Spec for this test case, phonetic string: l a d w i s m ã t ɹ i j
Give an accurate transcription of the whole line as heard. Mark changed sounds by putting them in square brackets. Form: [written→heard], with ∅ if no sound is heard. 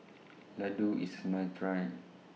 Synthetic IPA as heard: l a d [w→u] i s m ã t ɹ [i→a] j